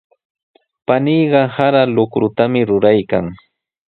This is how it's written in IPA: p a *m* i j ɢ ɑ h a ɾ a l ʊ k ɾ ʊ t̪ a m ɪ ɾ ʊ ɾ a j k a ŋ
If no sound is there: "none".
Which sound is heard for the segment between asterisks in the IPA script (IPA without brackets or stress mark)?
n